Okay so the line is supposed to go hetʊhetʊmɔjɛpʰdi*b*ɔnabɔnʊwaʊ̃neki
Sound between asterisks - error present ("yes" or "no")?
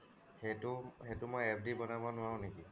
no